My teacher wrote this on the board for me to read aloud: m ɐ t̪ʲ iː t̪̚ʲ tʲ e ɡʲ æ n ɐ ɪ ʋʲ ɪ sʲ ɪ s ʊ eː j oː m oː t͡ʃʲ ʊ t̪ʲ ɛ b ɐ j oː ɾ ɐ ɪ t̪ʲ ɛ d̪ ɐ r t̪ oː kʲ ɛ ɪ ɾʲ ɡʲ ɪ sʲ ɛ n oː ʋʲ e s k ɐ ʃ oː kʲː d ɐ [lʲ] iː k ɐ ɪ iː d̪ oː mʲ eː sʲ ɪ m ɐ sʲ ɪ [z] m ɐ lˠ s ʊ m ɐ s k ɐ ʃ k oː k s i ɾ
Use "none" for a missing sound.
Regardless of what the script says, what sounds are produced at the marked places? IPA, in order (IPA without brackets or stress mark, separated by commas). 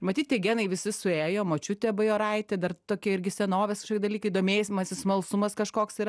lʲ, s